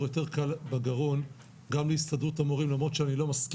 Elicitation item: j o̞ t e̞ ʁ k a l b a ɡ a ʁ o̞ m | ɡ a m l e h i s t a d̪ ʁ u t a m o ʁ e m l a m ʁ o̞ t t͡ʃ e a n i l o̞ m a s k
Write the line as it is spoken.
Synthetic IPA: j o̞ t e̞ ʁ k a l b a ɡ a ʁ o̞ n | ɡ a m l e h i s t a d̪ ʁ u t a m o ʁ i m l a m ʁ o̞ t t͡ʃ e a n i l o̞ m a s k